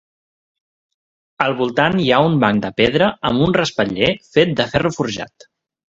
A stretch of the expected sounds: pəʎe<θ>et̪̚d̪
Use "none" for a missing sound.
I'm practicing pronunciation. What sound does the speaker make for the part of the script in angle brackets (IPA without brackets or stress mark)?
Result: f